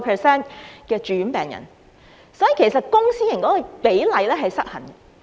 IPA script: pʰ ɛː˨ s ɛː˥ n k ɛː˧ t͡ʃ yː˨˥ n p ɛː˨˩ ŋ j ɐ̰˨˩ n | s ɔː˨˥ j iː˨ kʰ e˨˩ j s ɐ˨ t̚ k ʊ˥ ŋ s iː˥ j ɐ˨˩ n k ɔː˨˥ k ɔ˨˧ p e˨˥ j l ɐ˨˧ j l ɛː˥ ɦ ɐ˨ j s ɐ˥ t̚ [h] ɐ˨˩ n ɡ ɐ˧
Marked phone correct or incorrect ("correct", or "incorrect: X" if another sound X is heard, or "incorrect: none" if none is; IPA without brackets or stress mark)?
correct